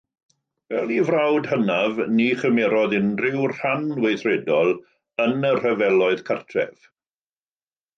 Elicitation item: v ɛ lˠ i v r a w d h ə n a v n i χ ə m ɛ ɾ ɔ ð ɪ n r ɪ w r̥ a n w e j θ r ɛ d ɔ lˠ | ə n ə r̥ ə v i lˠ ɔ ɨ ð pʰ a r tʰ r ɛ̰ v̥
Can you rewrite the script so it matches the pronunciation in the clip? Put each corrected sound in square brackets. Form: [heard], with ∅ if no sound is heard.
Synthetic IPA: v ɛ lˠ i v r a w d h ə n a v n i χ ə m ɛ ɾ ɔ ð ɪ n r ɪ w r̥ a n w e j θ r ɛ d ɔ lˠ | ə n ə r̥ ə v [ɛ] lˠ ɔ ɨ ð [kʰ] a r tʰ r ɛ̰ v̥